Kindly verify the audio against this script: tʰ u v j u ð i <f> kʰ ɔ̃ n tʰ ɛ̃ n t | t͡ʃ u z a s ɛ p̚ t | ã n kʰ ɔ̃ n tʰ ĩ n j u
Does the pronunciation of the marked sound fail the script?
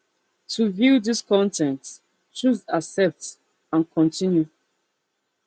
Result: yes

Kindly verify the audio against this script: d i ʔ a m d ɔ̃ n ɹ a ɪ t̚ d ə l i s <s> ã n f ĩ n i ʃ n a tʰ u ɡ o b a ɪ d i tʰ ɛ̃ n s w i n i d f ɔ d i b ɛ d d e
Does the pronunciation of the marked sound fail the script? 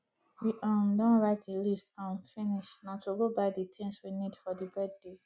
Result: yes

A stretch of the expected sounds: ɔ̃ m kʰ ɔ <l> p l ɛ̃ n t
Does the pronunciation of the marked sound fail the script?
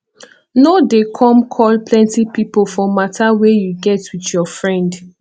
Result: no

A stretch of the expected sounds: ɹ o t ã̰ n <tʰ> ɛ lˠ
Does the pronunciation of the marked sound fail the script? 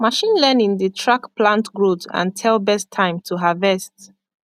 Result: no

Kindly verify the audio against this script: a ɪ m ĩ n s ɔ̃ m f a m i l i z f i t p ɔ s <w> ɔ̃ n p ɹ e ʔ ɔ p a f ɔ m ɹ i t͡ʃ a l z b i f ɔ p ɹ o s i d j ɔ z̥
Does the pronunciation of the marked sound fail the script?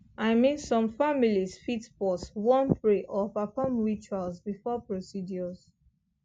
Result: no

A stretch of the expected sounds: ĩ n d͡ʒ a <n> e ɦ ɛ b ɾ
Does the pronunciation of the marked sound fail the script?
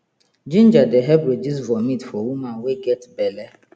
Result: yes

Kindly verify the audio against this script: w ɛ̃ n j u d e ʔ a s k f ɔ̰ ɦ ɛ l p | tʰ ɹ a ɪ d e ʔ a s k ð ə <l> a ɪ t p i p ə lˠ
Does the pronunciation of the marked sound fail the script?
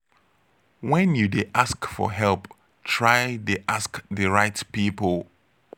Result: yes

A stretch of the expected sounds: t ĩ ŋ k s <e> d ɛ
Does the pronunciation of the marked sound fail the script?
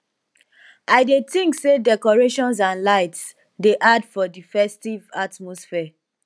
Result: no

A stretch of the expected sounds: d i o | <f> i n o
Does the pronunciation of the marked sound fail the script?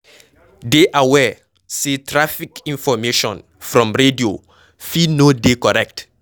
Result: no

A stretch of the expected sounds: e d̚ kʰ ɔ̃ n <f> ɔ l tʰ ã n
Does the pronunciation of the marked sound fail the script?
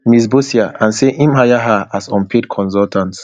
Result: yes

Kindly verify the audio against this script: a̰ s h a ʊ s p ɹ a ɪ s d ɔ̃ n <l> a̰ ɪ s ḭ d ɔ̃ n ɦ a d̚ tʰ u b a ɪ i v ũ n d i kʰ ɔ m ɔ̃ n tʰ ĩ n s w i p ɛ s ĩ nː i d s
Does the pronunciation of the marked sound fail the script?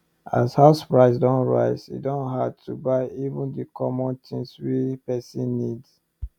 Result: yes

